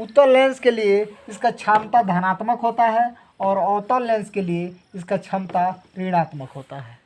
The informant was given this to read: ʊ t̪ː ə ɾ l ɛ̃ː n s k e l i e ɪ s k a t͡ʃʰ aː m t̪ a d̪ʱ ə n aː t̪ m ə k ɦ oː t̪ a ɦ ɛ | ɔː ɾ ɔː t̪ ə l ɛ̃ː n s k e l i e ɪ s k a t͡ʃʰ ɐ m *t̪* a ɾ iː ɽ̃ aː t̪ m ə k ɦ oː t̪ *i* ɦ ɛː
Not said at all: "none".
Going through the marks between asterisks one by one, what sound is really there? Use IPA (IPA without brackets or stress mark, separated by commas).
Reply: t̪, a